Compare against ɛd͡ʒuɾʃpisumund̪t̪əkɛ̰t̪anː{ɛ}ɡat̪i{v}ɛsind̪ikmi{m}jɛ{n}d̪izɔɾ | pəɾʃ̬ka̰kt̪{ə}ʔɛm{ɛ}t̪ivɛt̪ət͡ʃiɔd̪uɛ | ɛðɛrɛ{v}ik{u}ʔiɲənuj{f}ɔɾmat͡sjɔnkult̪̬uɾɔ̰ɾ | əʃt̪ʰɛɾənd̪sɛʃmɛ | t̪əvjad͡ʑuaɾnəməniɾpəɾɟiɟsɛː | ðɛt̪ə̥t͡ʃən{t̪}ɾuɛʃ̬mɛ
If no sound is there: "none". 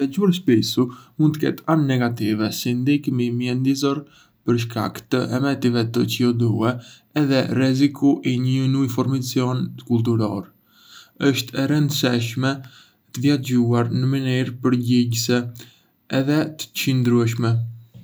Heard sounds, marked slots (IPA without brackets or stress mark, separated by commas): ɛ, v, m, n, ə, ɛ, z, u, f, d̪